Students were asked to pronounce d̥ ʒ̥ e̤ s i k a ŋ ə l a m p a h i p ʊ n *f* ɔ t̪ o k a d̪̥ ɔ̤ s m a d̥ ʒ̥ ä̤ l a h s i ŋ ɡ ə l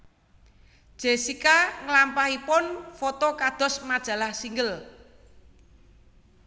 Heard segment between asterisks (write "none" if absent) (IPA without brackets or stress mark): f